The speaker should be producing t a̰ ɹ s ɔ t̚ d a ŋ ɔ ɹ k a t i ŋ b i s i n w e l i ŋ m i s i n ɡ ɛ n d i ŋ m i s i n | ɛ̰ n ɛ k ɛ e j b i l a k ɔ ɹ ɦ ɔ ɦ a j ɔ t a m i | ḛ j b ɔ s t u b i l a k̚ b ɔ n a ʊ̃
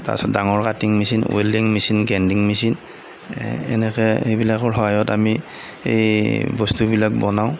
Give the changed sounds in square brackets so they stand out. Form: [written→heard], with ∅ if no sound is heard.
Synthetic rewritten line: t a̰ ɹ s ɔ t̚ d a ŋ ɔ ɹ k a t i ŋ [b→m] i s i n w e l i ŋ m i s i n ɡ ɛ n d i ŋ m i s i n | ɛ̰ n ɛ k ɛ e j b i l a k ɔ ɹ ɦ ɔ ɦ a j ɔ t a m i | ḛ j b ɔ s t u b i l a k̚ b ɔ n a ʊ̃